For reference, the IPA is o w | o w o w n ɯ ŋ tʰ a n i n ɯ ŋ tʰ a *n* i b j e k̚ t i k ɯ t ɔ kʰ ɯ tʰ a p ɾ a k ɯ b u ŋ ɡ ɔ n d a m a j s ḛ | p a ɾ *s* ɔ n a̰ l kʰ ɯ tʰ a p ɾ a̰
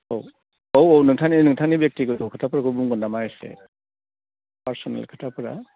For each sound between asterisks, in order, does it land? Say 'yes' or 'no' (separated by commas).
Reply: yes, yes